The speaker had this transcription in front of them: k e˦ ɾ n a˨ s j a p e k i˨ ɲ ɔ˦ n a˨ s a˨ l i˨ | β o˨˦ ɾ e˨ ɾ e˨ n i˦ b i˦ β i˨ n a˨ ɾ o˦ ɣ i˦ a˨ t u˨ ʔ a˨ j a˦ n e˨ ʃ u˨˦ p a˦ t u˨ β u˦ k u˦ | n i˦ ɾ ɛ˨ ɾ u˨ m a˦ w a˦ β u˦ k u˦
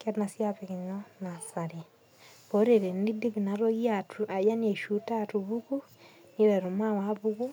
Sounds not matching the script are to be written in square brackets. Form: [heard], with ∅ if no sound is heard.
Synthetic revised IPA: k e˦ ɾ n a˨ s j a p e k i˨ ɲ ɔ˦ n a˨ s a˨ [ɾ] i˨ | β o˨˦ ɾ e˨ ɾ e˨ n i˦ [d] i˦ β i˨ n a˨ ɾ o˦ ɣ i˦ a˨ t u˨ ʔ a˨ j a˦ n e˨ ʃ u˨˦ [t] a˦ t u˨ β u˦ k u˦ | n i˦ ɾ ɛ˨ ɾ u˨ m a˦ w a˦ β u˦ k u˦